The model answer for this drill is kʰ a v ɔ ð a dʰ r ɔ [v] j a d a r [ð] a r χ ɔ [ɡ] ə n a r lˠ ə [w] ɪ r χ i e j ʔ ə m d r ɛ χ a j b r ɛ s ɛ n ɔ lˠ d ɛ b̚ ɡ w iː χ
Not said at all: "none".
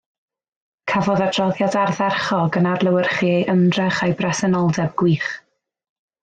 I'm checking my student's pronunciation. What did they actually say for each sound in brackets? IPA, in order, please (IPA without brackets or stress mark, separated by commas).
ð, ð, ɡ, w